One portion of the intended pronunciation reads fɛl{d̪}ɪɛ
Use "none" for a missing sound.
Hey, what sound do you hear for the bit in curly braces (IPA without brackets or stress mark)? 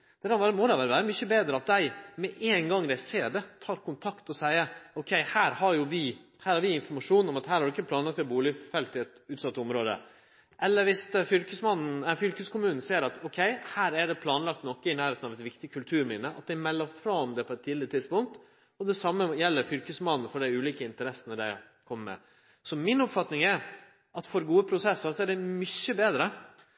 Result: t̪